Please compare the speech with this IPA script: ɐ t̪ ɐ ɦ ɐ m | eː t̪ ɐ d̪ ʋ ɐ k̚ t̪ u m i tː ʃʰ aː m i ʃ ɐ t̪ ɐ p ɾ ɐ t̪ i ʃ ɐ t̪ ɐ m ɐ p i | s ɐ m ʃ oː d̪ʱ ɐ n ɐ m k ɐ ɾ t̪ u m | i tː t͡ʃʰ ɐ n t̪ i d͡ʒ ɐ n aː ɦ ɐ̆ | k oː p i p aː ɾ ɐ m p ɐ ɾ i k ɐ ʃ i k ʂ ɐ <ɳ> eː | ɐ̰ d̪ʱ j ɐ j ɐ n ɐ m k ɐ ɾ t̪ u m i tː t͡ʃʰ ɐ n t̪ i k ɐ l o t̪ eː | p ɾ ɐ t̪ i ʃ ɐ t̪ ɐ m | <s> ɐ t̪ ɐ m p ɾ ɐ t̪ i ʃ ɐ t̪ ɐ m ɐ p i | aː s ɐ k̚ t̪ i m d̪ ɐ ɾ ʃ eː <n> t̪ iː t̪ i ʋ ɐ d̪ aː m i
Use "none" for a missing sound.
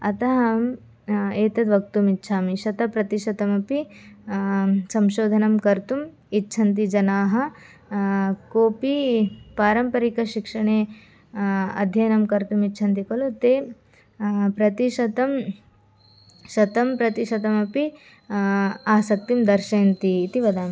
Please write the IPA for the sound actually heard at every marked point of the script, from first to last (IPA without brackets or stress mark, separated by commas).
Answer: ɳ, ʃ, n